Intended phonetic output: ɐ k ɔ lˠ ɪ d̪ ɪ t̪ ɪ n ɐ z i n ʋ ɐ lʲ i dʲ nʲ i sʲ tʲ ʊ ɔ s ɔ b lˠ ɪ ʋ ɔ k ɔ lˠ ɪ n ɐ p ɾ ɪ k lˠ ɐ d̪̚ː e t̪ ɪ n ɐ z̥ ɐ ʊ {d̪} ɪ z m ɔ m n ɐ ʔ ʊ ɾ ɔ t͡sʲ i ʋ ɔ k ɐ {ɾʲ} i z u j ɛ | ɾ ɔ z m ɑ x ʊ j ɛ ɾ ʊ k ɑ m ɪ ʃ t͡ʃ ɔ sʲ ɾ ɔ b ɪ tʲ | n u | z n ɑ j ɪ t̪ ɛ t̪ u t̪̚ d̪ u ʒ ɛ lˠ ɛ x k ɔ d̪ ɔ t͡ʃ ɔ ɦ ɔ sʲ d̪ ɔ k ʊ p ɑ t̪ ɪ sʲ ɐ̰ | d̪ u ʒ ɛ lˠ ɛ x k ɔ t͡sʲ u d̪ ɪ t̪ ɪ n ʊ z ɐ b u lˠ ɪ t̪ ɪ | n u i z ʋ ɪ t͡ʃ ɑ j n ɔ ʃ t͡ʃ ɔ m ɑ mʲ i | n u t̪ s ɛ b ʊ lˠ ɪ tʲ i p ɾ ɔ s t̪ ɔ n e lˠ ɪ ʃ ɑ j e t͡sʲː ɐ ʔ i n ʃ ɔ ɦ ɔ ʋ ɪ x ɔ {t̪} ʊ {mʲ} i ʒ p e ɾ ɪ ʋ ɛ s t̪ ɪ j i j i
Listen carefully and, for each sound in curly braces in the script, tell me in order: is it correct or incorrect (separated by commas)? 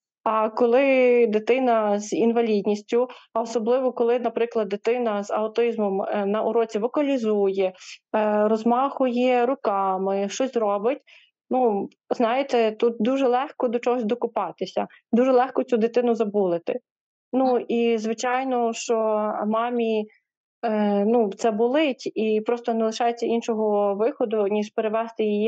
incorrect, incorrect, incorrect, incorrect